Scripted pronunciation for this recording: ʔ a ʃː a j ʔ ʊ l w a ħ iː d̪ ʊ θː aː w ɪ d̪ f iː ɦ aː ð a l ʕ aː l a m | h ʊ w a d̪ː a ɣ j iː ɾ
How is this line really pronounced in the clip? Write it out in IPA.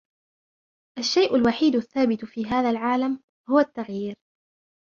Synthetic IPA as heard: ʔ a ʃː a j ʔ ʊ l w a ħ iː d̪ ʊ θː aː b ɪ t̪ f iː ɦ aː ð a l ʕ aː l a m | h ʊ w a t̪ː a ɣ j iː ɾ